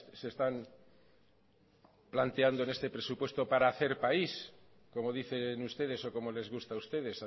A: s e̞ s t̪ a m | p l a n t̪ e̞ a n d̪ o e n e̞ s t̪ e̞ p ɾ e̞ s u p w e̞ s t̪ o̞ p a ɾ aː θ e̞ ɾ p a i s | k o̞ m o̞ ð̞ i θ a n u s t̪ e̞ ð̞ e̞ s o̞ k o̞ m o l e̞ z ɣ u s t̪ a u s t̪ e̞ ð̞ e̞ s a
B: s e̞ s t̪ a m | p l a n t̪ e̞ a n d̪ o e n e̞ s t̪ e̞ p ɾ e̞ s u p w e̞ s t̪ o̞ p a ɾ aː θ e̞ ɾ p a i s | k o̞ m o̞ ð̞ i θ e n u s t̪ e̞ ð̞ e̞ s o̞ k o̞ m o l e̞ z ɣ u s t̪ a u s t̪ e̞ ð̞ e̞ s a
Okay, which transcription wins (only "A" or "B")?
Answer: B